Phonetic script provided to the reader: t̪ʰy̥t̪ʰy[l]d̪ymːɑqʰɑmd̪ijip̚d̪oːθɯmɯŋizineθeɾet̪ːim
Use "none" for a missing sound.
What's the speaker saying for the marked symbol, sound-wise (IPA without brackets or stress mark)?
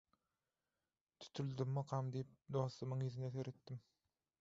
l